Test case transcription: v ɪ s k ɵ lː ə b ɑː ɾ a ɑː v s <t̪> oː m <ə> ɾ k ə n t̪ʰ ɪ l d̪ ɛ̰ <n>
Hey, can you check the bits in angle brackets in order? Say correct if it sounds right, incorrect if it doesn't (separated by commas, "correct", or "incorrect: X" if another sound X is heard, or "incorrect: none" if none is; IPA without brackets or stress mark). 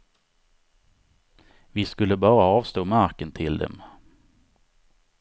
correct, incorrect: a, incorrect: m